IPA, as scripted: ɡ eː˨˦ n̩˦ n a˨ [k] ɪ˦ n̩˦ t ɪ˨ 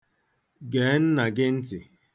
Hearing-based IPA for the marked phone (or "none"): ɡ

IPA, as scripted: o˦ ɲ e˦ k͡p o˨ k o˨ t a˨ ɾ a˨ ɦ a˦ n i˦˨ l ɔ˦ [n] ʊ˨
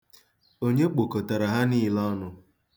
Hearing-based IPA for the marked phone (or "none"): n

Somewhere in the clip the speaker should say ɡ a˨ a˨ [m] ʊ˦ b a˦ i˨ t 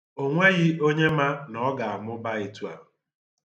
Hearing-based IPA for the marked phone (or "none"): m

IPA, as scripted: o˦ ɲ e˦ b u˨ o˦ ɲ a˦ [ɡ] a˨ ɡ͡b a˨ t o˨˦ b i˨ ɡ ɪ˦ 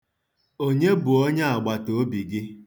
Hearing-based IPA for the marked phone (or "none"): none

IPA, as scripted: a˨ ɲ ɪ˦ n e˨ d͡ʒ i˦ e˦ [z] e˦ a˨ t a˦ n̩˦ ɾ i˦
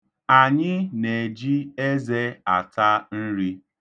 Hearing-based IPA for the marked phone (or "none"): z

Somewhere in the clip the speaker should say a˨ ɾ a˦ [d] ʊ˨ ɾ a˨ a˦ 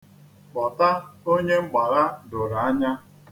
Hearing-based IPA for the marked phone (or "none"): d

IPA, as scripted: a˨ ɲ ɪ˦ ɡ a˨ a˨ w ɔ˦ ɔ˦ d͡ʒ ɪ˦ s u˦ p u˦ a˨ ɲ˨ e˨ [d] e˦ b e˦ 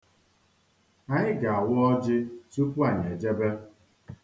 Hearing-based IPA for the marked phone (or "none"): d͡ʒ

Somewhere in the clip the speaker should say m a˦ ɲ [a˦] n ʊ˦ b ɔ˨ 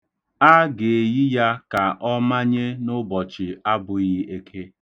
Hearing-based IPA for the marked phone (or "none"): e˦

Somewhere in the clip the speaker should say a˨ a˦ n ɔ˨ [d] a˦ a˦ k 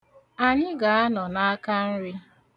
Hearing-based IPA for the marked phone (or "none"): n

